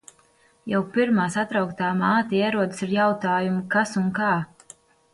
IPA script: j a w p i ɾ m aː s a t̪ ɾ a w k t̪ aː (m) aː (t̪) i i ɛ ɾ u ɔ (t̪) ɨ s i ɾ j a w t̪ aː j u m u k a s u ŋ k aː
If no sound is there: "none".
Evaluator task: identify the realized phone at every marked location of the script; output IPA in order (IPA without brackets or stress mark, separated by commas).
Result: m, t̪, d̪